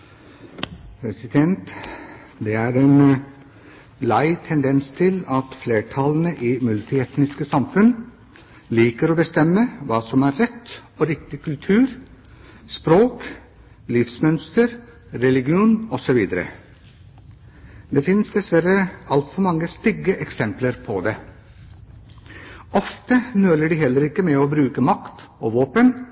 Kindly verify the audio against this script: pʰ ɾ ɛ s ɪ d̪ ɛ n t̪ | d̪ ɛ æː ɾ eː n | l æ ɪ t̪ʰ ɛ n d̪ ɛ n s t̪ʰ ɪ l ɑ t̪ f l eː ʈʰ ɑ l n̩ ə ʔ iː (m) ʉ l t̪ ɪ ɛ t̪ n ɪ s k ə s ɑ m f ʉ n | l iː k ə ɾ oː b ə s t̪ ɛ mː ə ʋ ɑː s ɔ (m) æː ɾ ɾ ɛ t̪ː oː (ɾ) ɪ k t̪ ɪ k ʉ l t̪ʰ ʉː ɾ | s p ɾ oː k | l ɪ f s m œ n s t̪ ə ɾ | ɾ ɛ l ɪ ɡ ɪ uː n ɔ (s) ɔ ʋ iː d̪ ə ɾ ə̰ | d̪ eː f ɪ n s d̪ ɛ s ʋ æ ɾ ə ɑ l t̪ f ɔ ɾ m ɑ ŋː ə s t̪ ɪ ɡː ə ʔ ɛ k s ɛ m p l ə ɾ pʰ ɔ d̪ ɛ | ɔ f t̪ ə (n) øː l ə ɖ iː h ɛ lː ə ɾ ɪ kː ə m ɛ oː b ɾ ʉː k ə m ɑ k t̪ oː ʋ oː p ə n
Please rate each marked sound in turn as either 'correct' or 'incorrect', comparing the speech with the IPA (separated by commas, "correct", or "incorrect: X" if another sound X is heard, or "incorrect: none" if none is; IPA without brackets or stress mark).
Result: correct, correct, correct, correct, correct